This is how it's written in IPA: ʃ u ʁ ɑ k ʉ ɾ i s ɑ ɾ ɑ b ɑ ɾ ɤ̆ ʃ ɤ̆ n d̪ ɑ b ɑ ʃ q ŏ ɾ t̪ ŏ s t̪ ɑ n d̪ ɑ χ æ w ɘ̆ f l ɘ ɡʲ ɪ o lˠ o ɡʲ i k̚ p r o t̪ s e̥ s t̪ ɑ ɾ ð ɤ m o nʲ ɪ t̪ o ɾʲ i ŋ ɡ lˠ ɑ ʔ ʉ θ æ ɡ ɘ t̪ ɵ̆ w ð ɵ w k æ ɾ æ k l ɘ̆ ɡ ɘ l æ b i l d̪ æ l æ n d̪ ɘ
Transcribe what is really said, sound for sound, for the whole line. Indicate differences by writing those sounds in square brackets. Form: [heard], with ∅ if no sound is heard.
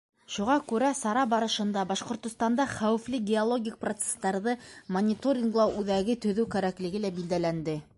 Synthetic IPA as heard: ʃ u ʁ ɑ k ʉ ɾ [æ] s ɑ ɾ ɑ b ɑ ɾ ɤ̆ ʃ ɤ̆ n d̪ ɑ b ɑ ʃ q ŏ ɾ t̪ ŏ s t̪ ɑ n d̪ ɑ χ æ w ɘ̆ f l ɘ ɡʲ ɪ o lˠ o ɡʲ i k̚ p r o t̪ s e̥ s t̪ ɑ ɾ ð ɤ m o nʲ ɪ t̪ o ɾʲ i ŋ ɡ lˠ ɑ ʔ ʉ [ð] æ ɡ ɘ t̪ ɵ̆ [∅] ð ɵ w k æ ɾ æ k l ɘ̆ ɡ ɘ l æ b i l d̪ æ l æ n d̪ ɘ

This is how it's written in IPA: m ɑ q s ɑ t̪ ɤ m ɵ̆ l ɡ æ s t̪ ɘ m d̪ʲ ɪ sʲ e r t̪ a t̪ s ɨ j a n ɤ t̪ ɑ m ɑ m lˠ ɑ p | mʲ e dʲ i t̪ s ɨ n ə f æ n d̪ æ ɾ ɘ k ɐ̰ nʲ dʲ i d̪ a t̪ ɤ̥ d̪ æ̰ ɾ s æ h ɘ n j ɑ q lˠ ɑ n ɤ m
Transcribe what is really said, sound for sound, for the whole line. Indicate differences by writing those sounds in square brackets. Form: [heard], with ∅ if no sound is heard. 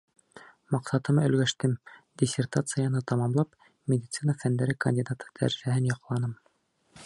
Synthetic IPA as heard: m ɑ q s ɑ t̪ ɤ m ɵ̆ l ɡ æ [ʃ] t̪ ɘ m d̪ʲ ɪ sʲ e r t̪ a t̪ s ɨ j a n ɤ t̪ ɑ m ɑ m lˠ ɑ p | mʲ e dʲ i t̪ s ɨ n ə f æ n d̪ æ ɾ ɘ k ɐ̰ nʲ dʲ i d̪ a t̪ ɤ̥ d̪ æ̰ ɾ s æ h ɘ n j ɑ q lˠ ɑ n ɤ m

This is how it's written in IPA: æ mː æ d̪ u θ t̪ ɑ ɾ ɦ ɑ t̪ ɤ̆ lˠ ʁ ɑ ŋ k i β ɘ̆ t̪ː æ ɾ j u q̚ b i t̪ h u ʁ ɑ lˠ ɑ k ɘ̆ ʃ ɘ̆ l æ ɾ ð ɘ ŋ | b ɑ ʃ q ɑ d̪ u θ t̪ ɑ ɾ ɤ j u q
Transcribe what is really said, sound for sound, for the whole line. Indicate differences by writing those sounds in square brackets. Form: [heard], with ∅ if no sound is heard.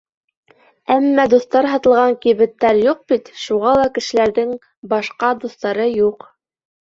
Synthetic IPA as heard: æ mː æ d̪ u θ t̪ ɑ ɾ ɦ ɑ t̪ ɤ̆ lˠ ʁ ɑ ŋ k i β ɘ̆ t̪ː æ ɾ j u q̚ b i t̪ [ʃ] u ʁ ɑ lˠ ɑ k ɘ̆ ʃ ɘ̆ l æ ɾ ð ɘ ŋ | b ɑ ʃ q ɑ d̪ u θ t̪ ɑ ɾ ɤ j u q

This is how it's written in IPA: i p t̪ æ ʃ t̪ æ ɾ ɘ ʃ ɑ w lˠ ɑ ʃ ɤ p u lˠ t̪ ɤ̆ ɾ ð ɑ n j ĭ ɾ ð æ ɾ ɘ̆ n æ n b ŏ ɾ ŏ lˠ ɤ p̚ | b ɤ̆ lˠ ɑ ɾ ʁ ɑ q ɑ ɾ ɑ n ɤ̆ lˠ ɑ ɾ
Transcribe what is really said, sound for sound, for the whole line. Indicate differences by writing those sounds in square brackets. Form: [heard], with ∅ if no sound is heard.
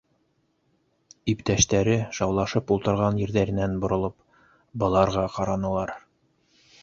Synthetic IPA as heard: i p t̪ æ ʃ t̪ æ ɾ ɘ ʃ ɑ w lˠ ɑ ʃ ɤ p u lˠ t̪ ɤ̆ ɾ [ʁ] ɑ n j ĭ ɾ ð æ ɾ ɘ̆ n æ n b ŏ ɾ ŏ lˠ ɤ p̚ | b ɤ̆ lˠ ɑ ɾ ʁ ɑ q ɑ ɾ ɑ n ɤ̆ lˠ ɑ ɾ

